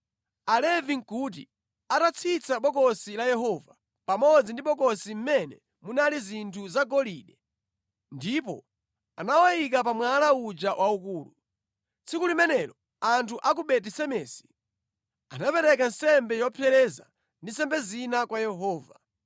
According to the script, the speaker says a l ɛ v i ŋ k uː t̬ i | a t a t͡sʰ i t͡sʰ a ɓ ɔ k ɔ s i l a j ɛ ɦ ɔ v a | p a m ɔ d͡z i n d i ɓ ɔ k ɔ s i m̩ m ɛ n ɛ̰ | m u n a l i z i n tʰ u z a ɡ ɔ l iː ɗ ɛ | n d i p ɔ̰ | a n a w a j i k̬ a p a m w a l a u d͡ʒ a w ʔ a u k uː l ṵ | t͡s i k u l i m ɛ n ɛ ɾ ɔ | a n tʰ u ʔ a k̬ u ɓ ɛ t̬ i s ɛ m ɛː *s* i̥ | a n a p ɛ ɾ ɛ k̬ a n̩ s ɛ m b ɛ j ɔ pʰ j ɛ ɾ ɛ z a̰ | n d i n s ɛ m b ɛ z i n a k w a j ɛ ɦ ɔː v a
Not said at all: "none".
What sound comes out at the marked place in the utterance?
s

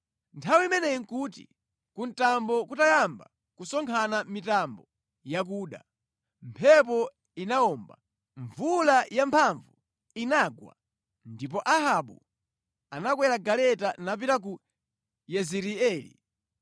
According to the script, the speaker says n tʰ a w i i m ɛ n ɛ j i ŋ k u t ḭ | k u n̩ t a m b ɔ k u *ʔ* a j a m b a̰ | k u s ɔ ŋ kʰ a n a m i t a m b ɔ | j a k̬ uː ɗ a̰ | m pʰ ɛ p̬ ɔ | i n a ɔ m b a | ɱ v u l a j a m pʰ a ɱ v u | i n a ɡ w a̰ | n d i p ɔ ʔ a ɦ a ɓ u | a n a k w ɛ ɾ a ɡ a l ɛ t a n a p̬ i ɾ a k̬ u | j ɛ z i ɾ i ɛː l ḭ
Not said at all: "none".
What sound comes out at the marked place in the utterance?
t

